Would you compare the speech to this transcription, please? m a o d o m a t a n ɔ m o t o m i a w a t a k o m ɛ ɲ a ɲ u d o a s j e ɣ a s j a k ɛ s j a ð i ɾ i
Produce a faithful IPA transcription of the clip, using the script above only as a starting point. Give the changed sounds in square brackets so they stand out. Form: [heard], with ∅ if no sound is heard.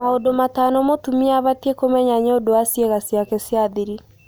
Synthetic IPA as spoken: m a o d o m a t a n ɔ m o t [u] m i a [β] a t [e] k o m ɛ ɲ a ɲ [o] d o a s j e ɣ a s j a k ɛ s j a ð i ɾ i